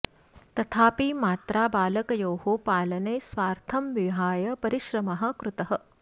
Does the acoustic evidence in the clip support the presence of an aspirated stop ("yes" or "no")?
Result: yes